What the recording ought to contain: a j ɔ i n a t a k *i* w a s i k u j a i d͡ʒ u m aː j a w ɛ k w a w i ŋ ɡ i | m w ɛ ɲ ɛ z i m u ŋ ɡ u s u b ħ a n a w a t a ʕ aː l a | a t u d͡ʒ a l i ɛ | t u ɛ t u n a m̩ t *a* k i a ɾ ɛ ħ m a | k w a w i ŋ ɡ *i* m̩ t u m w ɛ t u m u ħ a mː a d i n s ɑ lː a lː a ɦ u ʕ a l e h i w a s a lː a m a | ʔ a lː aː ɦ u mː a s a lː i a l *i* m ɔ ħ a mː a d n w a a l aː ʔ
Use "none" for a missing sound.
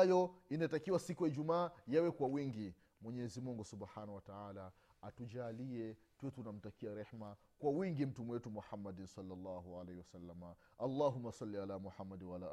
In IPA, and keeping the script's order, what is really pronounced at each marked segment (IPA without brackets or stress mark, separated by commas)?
i, a, i, a